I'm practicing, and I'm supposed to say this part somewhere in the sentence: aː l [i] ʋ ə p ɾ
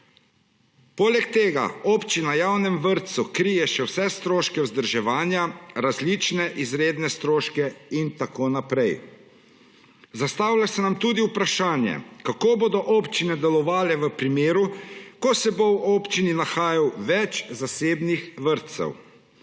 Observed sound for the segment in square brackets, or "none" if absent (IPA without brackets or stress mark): ɛ